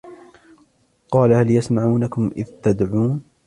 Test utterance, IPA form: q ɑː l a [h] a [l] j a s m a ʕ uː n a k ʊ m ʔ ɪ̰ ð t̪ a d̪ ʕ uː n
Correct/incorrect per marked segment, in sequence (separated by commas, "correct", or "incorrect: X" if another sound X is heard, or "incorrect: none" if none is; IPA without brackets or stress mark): correct, correct